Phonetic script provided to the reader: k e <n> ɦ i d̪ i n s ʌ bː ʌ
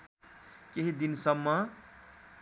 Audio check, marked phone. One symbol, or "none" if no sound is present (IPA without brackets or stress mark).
none